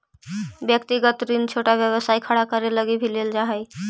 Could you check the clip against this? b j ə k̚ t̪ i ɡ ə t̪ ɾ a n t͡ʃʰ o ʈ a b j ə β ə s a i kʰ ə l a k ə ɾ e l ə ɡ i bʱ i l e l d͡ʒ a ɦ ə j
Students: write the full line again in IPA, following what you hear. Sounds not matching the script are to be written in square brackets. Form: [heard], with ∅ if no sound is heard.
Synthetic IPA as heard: b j ə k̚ t̪ i ɡ ə t̪ ɾ [i] n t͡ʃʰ o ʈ a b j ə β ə s a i kʰ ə [ɽ] a k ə ɾ e l ə ɡ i bʱ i l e l d͡ʒ a ɦ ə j

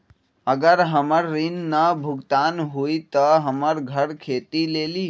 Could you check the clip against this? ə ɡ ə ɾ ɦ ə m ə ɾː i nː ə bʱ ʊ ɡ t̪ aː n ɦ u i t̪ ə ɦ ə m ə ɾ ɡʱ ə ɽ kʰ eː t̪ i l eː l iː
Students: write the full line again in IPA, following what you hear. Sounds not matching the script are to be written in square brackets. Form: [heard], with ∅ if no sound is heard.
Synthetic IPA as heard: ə ɡ ə ɾ ɦ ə m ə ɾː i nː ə bʱ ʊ ɡ t̪ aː n ɦ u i t̪ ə ɦ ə m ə ɾ ɡʱ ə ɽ kʰ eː t̪ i l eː l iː

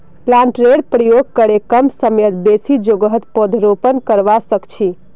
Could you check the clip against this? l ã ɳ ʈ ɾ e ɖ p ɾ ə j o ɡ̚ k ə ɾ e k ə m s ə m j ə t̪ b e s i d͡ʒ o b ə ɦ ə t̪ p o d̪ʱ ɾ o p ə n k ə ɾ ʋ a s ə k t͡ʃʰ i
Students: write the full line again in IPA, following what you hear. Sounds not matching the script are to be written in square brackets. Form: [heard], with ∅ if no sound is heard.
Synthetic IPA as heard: l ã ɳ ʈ ɾ e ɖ p ɾ ə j o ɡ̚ k ə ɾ e k ə m s ə m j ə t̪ b e s i d͡ʒ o [ɡ] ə ɦ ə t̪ p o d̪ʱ ɾ o p ə n k ə ɾ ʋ a s ə k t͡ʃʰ i

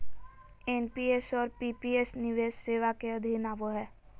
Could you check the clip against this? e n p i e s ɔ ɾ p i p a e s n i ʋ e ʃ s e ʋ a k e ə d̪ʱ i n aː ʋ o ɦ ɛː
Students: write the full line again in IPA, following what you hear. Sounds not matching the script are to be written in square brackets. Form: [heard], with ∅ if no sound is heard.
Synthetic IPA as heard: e n p i e s ɔ ɾ p i p [i] e s n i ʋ e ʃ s e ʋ a k e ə d̪ʱ i n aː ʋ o ɦ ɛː

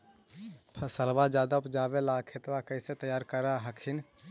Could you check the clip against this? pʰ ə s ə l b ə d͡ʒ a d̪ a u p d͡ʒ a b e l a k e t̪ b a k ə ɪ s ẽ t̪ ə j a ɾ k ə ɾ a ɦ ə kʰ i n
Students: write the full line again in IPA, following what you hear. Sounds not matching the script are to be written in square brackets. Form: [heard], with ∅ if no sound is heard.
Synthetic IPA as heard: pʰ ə s ə l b [a] d͡ʒ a d̪ a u p d͡ʒ a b e l a [kʰ] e t̪ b a k ə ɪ s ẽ t̪ ə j a ɾ k ə ɾ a ɦ ə kʰ i n

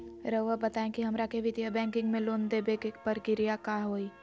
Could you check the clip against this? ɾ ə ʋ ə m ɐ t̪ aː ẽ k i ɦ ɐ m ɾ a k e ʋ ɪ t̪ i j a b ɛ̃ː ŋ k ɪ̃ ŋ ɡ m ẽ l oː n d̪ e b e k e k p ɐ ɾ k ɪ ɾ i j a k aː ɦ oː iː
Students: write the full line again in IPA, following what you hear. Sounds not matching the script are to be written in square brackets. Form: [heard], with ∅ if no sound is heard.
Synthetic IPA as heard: ɾ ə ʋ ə [b] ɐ t̪ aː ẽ k i ɦ ɐ m ɾ a k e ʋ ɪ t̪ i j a b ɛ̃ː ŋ k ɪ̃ ŋ ɡ m ẽ l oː n d̪ e b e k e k p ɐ ɾ k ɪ ɾ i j a k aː ɦ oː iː

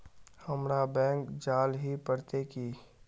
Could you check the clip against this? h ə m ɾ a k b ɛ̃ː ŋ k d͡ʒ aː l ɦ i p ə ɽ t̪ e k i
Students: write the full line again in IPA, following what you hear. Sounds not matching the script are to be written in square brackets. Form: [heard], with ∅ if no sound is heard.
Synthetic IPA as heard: h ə m ɾ a [∅] b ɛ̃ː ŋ k d͡ʒ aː l ɦ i p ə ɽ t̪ e k i

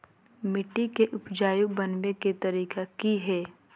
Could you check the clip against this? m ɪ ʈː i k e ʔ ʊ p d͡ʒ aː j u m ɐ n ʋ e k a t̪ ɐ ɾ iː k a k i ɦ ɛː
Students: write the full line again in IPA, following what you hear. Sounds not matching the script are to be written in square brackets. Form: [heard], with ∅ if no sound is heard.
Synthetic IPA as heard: m ɪ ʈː i k e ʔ ʊ p d͡ʒ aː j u [b] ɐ n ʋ e k [e] t̪ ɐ ɾ iː k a k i ɦ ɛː

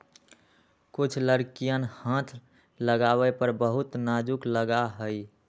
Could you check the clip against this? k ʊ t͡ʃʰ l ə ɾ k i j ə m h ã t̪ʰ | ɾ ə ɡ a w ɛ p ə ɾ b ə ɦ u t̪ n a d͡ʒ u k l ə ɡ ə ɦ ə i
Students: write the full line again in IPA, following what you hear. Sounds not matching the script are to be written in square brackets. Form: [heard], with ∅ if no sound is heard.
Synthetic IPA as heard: k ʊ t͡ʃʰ l ə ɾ k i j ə [n] h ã t̪ʰ | [l] ə ɡ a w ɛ p ə ɾ b ə ɦ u t̪ n a d͡ʒ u k l ə ɡ [a] ɦ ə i

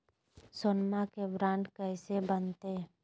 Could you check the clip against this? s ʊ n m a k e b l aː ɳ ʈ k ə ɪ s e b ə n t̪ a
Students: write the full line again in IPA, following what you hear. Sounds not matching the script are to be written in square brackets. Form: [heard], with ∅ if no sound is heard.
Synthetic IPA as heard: s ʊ n m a k e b [ɾ] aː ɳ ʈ k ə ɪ s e b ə n t̪ [e]

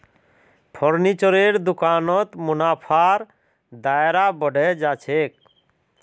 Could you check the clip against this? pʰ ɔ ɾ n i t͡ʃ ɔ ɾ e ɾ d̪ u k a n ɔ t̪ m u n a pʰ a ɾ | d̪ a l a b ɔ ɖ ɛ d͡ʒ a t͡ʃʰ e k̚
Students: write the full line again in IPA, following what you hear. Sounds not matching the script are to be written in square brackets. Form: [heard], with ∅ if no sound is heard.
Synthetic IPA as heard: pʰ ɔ ɾ n i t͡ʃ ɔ ɾ e ɾ d̪ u k a n ɔ t̪ m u n a pʰ a ɾ | d̪ a [ɾ] a b ɔ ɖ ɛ d͡ʒ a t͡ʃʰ e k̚

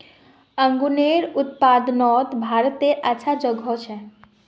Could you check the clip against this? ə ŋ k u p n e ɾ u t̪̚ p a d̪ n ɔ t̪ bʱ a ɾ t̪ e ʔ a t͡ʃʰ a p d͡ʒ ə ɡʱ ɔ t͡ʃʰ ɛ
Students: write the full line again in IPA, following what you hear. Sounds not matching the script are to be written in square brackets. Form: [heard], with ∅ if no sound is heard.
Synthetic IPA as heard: ə ŋ [ɡ] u [∅] n e ɾ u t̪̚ p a d̪ n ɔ t̪ bʱ a ɾ t̪ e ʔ a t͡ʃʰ a [∅] d͡ʒ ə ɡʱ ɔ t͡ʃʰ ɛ

